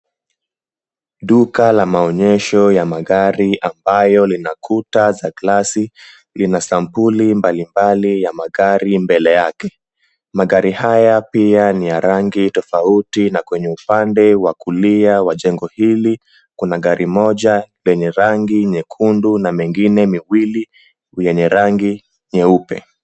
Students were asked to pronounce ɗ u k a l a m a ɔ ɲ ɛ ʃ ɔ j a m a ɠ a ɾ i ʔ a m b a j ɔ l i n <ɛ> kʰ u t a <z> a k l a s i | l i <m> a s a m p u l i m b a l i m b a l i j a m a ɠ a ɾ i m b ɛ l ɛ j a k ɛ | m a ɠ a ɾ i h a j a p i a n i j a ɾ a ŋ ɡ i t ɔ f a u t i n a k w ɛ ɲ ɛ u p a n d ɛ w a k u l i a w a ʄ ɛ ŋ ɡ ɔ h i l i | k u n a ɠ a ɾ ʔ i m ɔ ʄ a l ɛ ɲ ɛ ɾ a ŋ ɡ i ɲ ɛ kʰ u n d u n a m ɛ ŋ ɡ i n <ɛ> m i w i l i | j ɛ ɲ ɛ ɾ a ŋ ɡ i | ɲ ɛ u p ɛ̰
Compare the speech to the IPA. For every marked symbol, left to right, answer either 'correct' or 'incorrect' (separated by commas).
incorrect, correct, incorrect, correct